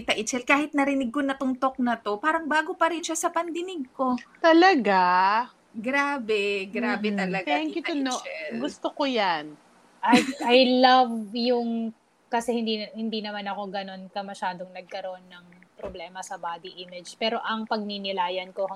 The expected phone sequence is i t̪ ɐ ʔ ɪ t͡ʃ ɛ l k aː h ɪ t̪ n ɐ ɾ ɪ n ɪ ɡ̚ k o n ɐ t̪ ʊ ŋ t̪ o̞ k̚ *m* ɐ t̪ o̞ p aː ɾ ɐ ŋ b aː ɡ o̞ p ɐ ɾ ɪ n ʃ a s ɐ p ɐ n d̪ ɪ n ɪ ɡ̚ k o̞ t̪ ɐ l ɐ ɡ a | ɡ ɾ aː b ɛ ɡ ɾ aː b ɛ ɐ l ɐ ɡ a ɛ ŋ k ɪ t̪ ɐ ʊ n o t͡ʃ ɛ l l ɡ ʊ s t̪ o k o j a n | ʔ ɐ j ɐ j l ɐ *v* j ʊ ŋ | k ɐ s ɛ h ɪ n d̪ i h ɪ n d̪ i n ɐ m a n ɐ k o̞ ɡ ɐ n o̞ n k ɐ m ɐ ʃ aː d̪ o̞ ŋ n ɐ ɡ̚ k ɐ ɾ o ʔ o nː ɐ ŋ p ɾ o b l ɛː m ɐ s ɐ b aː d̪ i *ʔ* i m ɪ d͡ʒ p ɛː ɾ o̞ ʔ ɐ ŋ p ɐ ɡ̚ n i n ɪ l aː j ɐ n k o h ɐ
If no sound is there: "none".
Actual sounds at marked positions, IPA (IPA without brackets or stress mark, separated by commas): n, v, ʔ